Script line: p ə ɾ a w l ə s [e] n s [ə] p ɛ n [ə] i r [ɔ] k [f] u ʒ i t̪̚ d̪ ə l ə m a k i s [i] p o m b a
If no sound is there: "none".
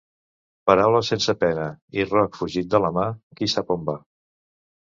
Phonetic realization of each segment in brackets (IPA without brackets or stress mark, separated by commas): e, ə, ə, ɔ, f, a